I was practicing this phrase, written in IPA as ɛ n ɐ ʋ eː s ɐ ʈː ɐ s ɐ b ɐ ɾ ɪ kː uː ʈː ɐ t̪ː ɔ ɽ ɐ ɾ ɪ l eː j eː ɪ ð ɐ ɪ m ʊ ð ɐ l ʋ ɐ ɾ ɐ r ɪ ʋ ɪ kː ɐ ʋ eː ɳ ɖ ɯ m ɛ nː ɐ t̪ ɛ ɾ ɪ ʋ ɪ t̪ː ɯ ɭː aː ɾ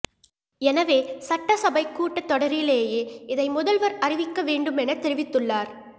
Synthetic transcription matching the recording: ɛ n ɐ ʋ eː s ɐ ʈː ɐ s ɐ b ɐ ɪ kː uː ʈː ɐ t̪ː ɔ ɽ ɐ ɾ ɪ l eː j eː ɪ ð ɐ ɪ m ʊ ð ɐ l ʋ ɐ ɾ ɐ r ɪ ʋ ɪ kː ɐ ʋ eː ɳ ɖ ɯ m ɛ n ɐ t̪ ɛ ɾ ɪ ʋ ɪ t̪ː ɯ ɭː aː ɾ